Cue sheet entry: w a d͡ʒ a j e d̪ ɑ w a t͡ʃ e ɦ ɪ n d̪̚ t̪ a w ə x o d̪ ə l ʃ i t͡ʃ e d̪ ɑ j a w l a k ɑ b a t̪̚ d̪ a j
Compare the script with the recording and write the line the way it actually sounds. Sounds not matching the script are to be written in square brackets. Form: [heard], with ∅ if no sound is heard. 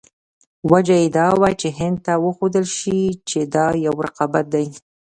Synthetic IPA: w a d͡ʒ a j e d̪ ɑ w a t͡ʃ e ɦ ɪ n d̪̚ t̪ a w ə x o d̪ ə l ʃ i t͡ʃ e d̪ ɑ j a w [ɾ] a [q] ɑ b a t̪̚ d̪ a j